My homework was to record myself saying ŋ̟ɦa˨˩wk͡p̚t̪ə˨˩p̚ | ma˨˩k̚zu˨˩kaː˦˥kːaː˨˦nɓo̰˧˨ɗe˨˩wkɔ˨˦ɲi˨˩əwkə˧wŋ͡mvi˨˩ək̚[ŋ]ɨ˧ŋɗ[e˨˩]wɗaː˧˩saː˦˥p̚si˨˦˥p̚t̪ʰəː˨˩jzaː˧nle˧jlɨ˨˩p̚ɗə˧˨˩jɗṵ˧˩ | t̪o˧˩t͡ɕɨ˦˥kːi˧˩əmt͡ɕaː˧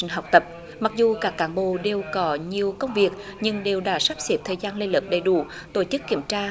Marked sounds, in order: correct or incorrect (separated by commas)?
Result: incorrect, correct